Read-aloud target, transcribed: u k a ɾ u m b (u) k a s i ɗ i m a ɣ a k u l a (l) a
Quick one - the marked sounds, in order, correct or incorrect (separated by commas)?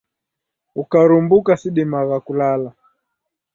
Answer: correct, correct